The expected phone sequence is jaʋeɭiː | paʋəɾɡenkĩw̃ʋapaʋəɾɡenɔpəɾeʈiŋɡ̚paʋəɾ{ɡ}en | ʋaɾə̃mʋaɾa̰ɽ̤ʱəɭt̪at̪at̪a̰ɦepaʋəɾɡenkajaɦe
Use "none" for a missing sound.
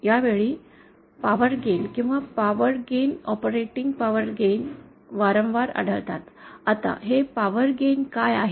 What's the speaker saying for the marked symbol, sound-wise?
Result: ɡ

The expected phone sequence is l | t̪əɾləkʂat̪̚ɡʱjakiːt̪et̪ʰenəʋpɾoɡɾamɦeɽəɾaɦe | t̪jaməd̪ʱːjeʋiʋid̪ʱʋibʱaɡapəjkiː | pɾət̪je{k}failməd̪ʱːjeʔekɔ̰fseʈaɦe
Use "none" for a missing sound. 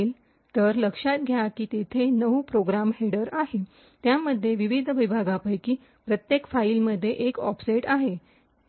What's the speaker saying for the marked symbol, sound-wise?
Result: k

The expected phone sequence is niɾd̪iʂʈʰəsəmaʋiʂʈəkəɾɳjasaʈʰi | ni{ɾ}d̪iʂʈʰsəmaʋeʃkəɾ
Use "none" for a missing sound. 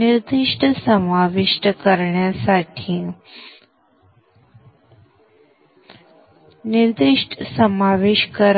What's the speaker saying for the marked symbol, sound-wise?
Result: ɾ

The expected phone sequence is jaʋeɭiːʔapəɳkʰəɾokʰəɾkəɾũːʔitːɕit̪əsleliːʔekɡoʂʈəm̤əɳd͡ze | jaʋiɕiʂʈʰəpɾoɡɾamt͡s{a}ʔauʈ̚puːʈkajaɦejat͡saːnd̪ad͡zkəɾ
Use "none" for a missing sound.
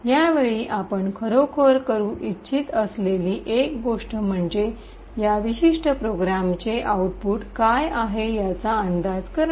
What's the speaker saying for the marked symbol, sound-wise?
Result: e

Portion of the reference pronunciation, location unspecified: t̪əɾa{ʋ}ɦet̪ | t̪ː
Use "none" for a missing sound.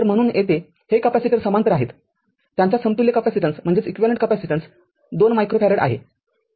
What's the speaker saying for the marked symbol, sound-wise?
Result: none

